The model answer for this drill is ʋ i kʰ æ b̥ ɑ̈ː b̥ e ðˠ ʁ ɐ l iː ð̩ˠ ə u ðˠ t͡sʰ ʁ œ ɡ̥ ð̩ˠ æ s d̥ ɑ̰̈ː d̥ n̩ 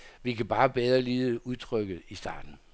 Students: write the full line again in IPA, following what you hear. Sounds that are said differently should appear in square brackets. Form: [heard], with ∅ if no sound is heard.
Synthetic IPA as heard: ʋ i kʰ æ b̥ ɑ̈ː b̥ e ðˠ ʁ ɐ l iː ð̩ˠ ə u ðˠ t͡sʰ ʁ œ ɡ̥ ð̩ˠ [i] s d̥ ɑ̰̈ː d̥ n̩

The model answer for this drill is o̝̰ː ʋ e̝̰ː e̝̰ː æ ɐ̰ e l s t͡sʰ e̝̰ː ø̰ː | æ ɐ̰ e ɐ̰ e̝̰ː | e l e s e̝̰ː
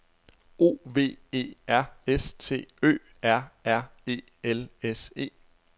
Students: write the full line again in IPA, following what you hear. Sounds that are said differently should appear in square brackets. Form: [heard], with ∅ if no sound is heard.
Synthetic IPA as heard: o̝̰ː ʋ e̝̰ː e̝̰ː æ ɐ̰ e [∅] s t͡sʰ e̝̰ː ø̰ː | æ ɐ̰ [æ] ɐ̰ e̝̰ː | e l e s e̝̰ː

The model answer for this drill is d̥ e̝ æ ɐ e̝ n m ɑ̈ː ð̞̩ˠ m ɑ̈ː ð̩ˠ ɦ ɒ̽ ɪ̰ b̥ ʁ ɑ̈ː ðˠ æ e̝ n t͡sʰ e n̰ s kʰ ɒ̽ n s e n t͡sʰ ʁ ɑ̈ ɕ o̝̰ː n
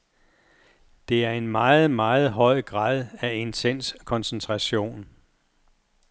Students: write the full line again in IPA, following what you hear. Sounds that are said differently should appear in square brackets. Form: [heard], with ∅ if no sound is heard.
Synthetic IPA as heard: d̥ e̝ æ ɐ e̝ n m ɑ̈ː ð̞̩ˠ m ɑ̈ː ð̩ˠ ɦ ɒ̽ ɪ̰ [ɡ̥] ʁ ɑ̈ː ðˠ æ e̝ n t͡sʰ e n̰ s kʰ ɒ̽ n s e n t͡sʰ ʁ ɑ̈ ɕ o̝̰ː n

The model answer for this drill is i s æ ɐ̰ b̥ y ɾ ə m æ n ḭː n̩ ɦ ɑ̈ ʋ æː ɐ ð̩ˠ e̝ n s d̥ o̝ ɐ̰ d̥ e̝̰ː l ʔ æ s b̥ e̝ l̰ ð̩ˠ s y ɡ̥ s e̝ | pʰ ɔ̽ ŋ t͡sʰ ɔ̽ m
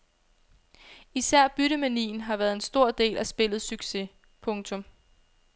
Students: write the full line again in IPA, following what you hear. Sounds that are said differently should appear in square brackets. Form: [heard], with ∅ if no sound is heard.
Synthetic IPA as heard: i s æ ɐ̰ b̥ y ɾ ə m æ n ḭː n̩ ɦ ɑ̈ ʋ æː ɐ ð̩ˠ e̝ n s d̥ o̝ ɐ̰ d̥ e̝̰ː l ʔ æ s b̥ e̝ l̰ ð̩ˠ s y ɡ̥ s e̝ | pʰ ɔ̽ ŋ t͡sʰ ɔ̽ m

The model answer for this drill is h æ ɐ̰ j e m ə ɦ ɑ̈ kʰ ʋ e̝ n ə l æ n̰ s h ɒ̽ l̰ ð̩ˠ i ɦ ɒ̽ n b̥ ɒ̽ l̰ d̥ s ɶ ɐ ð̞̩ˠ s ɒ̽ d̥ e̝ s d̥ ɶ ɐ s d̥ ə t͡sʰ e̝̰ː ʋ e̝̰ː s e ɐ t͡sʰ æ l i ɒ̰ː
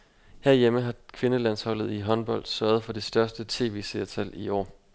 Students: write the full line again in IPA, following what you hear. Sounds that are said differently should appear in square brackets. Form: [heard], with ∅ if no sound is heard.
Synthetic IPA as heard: h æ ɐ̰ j e m ə ɦ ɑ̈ kʰ ʋ e̝ n ə l æ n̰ s h ɒ̽ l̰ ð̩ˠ i ɦ ɒ̽ n b̥ ɒ̽ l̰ d̥ s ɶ ɐ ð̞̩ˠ [f] ɒ̽ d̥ e̝ s d̥ ɶ ɐ s d̥ ə t͡sʰ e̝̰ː ʋ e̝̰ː s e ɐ t͡sʰ æ l i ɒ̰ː

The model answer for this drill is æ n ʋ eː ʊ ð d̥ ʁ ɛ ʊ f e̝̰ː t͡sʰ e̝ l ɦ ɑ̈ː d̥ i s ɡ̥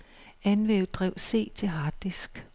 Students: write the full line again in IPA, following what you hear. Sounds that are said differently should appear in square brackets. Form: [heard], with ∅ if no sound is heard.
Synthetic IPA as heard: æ n ʋ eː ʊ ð d̥ ʁ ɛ ʊ [s] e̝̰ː t͡sʰ e̝ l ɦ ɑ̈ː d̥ i s ɡ̥

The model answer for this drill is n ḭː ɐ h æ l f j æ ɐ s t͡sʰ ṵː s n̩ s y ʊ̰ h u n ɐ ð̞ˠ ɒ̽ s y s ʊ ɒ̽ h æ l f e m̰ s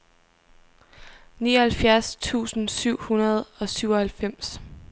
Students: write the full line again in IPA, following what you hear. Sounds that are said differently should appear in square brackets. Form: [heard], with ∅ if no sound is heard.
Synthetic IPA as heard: n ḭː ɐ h æ l f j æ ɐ s t͡sʰ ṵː s n̩ s y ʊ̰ h u n ɐ ð̞ˠ ɒ̽ s y [∅] ʊ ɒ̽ h æ l f e m̰ s

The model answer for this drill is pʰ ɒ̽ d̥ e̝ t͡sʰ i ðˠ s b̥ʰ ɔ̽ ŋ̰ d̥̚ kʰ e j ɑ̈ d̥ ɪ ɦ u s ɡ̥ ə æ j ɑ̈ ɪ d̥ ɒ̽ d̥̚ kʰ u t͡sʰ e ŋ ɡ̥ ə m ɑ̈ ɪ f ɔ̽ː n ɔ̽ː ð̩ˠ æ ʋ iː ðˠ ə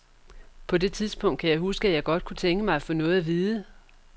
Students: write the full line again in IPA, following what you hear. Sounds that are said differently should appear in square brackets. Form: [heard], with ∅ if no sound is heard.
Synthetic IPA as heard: pʰ ɒ̽ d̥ e̝ t͡sʰ i ðˠ s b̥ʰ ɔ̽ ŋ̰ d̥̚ kʰ [æ] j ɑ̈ [∅] ɪ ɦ u s ɡ̥ ə æ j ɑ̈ ɪ [ɡ̥] ɒ̽ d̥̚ kʰ u t͡sʰ e ŋ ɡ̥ ə m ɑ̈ ɪ f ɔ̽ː n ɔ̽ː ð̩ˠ æ ʋ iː ðˠ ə

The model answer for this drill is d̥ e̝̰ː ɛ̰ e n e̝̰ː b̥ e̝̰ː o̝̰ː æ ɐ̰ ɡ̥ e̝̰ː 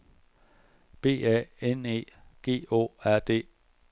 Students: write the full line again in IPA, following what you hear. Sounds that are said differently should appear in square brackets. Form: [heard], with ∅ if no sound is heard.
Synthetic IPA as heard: [b̥] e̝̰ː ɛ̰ e n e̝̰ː [ɡ̥] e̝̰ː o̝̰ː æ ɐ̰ [d̥] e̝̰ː

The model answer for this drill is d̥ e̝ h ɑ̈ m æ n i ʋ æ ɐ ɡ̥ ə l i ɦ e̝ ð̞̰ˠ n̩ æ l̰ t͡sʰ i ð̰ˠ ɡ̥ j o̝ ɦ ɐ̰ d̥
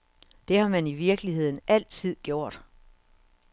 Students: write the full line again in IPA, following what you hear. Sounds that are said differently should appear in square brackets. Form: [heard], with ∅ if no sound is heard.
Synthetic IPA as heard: d̥ e̝ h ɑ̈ m æ n i ʋ [i] ɐ ɡ̥ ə l i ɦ e̝ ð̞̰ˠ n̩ æ l̰ t͡sʰ i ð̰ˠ ɡ̥ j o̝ [∅] ɐ̰ d̥

